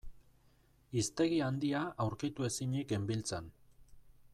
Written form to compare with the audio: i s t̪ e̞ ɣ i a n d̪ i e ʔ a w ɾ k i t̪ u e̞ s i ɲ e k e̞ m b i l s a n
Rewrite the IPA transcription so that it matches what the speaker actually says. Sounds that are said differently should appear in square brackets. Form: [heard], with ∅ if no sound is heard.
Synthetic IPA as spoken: i s t̪ e̞ ɣ i a n d̪ i [a] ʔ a w ɾ k i t̪ u e̞ s i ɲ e k e̞ m b i l [t͡s] a n